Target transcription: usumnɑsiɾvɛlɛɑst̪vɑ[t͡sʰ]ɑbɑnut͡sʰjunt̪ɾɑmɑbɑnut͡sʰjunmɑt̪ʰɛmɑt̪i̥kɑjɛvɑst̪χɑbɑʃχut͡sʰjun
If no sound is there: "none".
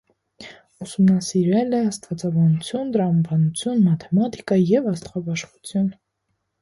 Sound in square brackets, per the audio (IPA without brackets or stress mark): t͡s